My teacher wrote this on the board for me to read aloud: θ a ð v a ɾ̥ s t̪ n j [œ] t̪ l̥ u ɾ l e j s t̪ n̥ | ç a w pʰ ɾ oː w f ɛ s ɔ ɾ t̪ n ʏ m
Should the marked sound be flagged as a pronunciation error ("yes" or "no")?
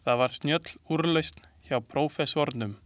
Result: no